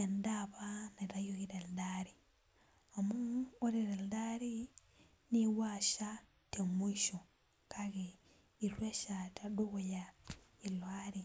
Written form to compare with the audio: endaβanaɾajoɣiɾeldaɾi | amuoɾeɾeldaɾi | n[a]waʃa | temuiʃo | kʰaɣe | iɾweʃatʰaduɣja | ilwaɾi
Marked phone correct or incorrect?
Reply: incorrect